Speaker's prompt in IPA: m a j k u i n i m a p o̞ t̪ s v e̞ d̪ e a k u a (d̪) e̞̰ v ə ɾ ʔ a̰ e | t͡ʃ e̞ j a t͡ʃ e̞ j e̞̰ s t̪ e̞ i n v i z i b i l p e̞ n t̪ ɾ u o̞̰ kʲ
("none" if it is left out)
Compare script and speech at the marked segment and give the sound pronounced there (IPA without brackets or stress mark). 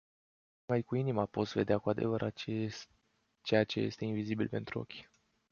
d̪